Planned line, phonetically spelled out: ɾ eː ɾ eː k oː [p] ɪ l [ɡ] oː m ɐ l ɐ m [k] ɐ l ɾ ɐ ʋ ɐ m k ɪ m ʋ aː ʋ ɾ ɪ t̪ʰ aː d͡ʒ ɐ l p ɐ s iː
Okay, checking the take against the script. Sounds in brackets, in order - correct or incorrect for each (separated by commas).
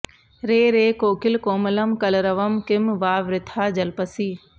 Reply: incorrect, incorrect, correct